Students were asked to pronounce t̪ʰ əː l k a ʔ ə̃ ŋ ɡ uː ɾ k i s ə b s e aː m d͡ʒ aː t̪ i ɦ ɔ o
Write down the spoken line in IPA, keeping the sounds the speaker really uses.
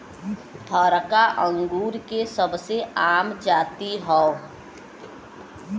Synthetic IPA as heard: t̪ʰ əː ɾ k a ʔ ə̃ ŋ ɡ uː ɾ k e s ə b s e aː m d͡ʒ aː t̪ i ɦ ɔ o